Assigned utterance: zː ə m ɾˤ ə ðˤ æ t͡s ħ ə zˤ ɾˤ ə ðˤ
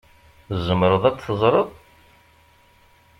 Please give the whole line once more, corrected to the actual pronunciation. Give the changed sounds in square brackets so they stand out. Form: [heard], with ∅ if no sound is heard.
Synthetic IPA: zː ə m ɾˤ ə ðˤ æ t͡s [θ] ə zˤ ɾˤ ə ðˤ